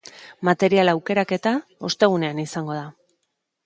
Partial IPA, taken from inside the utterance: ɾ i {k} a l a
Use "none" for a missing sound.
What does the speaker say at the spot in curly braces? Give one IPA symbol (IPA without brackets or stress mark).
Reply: none